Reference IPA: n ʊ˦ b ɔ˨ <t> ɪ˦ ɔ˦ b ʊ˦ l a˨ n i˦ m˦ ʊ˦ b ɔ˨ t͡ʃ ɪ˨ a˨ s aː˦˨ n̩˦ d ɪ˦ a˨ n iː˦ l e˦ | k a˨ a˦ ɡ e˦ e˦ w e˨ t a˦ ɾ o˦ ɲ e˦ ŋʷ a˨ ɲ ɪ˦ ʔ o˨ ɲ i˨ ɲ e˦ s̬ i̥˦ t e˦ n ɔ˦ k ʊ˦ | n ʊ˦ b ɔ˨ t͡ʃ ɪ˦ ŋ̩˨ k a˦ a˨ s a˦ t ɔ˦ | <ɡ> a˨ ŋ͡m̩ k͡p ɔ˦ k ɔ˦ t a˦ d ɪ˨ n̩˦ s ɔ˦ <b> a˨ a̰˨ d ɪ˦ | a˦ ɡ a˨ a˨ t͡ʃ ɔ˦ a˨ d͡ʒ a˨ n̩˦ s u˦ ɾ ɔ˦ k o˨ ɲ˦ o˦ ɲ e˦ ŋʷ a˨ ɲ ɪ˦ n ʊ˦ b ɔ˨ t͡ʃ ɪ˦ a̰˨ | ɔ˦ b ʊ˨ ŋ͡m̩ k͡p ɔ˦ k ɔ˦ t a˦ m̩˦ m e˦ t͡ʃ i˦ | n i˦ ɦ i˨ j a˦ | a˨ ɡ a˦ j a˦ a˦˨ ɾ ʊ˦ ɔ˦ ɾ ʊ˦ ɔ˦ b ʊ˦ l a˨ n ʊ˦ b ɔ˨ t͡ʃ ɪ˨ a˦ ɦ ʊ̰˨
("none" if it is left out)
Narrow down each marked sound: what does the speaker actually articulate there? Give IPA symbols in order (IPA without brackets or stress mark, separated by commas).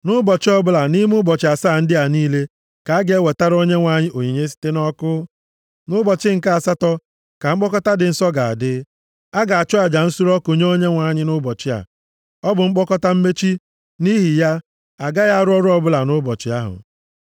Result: t͡ʃ, k, ɡ